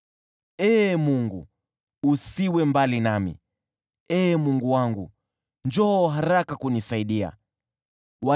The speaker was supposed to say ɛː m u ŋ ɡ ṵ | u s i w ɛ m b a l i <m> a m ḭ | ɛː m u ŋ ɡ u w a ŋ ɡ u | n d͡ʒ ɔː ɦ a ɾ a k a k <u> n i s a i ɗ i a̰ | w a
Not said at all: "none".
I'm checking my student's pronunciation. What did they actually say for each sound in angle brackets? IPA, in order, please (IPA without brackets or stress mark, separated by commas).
n, u